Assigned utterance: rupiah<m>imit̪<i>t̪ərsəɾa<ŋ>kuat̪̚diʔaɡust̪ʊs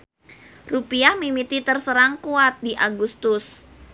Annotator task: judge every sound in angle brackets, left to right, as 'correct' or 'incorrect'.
correct, correct, correct

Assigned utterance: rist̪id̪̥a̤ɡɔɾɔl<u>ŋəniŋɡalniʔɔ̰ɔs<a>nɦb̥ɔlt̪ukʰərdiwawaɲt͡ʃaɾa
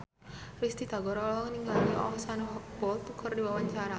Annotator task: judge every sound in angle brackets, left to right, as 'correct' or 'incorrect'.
incorrect, correct

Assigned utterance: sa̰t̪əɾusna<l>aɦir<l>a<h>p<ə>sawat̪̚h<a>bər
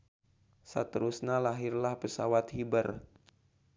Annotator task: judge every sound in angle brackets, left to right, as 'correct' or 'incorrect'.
correct, correct, correct, correct, incorrect

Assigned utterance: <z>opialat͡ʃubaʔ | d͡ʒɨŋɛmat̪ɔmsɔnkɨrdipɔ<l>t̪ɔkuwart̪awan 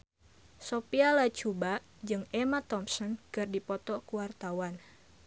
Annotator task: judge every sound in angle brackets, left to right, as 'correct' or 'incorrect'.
incorrect, incorrect

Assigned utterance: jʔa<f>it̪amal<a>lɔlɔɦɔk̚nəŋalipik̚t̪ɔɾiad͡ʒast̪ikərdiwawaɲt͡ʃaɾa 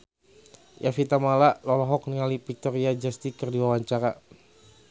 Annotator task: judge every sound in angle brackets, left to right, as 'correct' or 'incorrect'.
correct, correct

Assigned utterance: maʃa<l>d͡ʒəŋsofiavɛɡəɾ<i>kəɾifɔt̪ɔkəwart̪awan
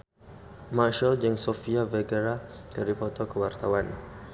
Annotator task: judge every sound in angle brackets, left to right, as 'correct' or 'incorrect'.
correct, incorrect

